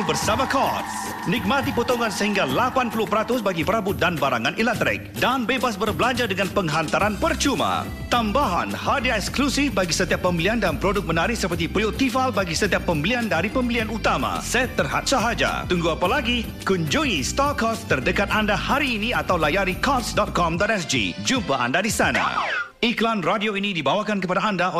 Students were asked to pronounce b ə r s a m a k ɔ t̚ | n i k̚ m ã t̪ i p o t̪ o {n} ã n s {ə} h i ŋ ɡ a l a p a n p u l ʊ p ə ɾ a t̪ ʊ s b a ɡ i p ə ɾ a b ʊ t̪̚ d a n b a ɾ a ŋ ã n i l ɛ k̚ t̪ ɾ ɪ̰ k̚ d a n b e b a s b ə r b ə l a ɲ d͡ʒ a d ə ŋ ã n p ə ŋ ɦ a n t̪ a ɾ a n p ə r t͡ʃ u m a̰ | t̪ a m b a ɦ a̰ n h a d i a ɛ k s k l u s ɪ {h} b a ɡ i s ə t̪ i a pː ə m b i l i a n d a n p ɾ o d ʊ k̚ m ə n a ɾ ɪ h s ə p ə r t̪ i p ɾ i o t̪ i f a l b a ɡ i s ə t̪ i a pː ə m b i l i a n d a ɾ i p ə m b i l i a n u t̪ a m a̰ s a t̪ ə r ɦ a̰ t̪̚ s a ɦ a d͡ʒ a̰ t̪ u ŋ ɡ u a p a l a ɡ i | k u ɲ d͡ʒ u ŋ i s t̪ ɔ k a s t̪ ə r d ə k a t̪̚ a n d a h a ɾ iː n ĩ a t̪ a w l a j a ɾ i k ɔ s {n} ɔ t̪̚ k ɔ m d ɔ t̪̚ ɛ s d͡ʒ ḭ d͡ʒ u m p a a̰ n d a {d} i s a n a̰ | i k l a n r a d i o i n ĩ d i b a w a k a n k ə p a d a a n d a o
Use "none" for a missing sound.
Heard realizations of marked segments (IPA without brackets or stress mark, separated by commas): ŋ, ə, f, d, d